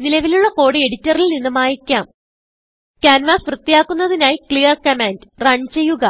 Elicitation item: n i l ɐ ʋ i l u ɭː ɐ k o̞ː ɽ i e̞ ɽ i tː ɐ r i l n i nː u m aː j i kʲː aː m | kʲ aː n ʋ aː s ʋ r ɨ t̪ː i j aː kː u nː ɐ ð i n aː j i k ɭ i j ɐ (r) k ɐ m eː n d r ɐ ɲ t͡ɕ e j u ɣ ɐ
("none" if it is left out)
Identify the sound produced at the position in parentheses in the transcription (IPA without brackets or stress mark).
r